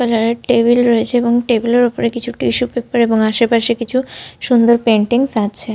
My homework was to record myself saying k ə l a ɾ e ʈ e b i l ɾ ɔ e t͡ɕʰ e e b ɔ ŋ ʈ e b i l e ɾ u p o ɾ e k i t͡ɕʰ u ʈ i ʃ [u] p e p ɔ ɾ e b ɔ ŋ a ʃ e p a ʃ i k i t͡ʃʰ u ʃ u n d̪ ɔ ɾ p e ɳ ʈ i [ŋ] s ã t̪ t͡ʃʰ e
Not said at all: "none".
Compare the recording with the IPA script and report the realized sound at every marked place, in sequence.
u, ŋ

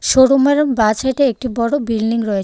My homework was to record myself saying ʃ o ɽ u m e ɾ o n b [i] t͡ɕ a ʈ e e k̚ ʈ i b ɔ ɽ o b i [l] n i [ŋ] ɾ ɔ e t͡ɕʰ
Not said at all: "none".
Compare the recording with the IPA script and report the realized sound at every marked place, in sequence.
a, l, ŋ

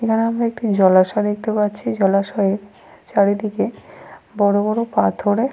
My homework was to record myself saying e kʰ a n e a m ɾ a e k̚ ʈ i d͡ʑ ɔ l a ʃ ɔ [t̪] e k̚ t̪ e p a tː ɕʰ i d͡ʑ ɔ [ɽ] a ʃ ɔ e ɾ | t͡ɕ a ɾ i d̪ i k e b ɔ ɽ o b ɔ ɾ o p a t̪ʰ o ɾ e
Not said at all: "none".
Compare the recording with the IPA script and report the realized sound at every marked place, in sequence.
d̪, l

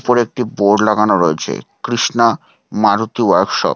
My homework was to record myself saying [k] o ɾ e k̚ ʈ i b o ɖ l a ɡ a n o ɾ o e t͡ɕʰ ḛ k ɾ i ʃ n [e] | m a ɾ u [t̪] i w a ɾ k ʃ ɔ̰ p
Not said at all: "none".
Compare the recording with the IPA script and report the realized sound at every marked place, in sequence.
p, a, t̪

